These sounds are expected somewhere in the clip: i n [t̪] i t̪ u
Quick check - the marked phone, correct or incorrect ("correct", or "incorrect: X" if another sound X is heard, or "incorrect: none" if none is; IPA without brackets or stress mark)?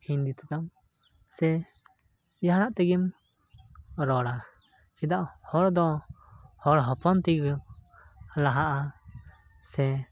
incorrect: d̪